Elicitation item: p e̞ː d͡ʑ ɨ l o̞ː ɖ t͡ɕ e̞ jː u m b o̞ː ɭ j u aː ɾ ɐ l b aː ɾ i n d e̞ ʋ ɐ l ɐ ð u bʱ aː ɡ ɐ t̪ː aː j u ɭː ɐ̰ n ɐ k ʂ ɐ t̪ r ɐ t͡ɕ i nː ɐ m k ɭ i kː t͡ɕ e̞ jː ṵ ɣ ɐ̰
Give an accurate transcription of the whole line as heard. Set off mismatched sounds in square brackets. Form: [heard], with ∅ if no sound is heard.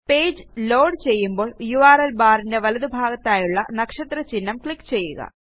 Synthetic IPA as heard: p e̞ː d͡ʑ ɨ l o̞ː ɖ t͡ɕ e̞ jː u m b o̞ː ɭ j u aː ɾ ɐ l b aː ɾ i n d e̞ ʋ ɐ l ɐ ð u bʱ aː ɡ ɐ t̪ː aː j u ɭː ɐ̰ n ɐ k ʂ ɐ t̪ r ɐ t͡ɕ i nː ɐ m k ɭ i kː t͡ɕ e̞ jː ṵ ɣ ɐ̰